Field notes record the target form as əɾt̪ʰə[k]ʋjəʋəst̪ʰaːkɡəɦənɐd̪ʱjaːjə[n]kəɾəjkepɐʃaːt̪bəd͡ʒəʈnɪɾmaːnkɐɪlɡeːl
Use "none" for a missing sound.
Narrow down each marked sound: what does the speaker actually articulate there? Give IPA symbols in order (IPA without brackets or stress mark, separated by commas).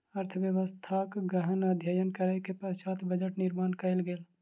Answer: none, n